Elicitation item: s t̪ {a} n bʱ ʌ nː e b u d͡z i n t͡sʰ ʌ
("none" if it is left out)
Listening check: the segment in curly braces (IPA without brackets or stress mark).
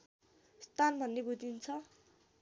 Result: a